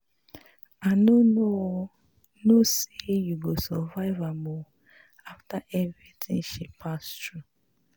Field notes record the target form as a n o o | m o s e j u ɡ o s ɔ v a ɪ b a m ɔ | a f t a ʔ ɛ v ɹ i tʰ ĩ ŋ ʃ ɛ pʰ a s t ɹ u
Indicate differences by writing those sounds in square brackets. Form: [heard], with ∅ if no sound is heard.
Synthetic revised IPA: a n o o | [n] o s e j u ɡ o s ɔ v a ɪ [v] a m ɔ | a f t a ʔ ɛ v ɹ i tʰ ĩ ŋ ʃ [i] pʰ a s t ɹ u

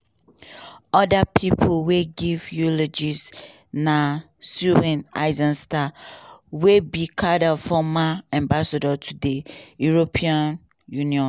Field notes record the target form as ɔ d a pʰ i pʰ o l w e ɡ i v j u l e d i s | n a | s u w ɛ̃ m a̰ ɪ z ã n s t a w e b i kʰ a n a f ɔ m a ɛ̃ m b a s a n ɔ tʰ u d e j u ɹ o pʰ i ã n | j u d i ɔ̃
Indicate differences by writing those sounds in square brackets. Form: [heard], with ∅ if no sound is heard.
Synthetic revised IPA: ɔ d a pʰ i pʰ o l w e ɡ i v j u l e [d͡ʒ] i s | n a | s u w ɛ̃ [n] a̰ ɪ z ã n s t a w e b i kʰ a [d] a f ɔ m a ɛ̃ m b a s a [d] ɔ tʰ u d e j u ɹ o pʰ i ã n | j u [n] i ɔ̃

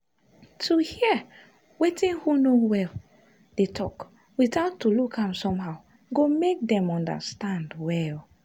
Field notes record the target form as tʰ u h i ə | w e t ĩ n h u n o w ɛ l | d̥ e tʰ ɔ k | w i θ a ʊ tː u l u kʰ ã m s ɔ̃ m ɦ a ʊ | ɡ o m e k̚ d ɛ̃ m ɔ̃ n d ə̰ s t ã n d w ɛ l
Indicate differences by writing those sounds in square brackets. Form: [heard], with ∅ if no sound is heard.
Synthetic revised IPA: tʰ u h i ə | w e t ĩ n h u n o w ɛ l | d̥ e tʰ ɔ k | w i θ a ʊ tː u l u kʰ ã m s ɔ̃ m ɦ a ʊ | ɡ o m e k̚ d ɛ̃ m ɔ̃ n d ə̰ s t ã n d w ɛ l

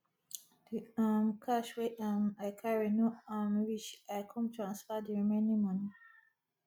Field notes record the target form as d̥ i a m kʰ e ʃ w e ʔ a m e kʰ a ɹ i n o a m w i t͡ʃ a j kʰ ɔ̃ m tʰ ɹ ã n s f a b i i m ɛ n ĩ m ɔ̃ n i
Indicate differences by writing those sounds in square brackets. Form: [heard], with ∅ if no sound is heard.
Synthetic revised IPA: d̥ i a m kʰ [a] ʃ w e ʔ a m [a] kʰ a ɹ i n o a m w i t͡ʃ a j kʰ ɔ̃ m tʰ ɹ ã n s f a [d] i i m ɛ n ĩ m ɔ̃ n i

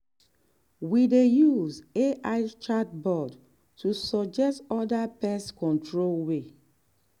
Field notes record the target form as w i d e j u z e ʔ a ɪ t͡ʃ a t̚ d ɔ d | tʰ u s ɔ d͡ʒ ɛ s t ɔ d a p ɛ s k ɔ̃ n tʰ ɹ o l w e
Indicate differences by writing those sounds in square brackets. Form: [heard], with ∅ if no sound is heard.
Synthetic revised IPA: w i d e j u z e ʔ a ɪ t͡ʃ a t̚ [b] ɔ d | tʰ u s ɔ d͡ʒ ɛ s t ɔ d a p ɛ s k ɔ̃ n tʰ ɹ o l w e

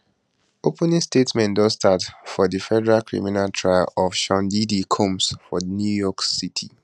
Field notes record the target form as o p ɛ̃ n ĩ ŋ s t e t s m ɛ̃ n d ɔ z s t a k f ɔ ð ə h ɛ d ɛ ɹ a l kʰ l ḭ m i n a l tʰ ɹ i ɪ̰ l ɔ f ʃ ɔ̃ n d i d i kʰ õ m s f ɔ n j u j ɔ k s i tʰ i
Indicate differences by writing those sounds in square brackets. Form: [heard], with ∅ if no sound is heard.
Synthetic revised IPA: o p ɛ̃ n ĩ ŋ s t e t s m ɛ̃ n d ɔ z s t a [t] f ɔ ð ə [f] ɛ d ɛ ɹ a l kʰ [ɹ] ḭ m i n a l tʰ ɹ [a] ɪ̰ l ɔ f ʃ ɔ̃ n d i d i kʰ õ m s f ɔ n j u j ɔ k s i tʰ i

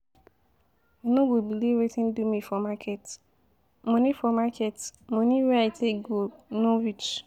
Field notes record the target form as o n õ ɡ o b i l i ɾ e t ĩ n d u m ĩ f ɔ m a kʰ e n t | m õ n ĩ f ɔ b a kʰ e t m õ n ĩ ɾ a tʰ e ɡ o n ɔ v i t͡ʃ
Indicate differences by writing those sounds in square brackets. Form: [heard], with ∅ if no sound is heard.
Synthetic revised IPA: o n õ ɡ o b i l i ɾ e t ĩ n d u m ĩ f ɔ m a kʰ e [∅] t | m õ n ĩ f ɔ [m] a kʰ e t m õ n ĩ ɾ a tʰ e ɡ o n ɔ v i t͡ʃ

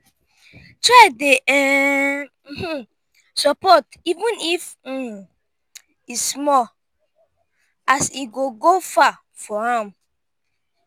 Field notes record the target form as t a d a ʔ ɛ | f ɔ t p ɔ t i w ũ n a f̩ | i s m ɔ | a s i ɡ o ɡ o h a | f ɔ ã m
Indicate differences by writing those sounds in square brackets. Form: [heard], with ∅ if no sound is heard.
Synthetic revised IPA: t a d [e] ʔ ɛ | [s] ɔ [∅] p ɔ t i [v] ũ n [i] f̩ | i s m ɔ | a s i ɡ o ɡ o [f] a | f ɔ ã m

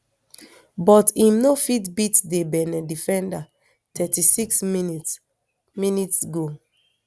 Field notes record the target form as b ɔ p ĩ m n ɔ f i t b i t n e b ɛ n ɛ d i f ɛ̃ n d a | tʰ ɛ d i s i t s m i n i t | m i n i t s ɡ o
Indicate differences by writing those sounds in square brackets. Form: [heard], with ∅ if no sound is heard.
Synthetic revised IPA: b ɔ [t] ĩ m n [o] f i t b i t [d] e b ɛ n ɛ d i f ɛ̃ n d a | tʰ ɛ [t] i s i [k] s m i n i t | m i n i t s ɡ o

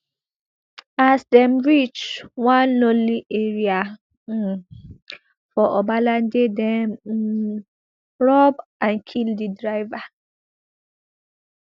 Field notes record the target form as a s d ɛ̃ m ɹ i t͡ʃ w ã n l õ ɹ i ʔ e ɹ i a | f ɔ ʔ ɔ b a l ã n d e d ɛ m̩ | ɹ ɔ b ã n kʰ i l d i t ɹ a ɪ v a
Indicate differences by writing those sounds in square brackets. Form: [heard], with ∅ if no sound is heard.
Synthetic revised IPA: a s d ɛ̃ m ɹ i t͡ʃ w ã n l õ [l] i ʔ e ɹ i a | f ɔ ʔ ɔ b a l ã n d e d ɛ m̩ | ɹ ɔ b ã n kʰ i l d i [d] ɹ a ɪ v a

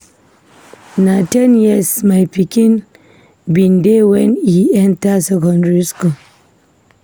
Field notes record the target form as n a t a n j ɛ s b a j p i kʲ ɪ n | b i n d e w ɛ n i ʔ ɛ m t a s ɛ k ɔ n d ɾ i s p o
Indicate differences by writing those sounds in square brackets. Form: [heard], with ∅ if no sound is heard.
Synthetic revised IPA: n a t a n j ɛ s [m] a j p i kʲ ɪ n | b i n d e w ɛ n i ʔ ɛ [n] t a s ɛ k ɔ n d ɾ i s [k] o

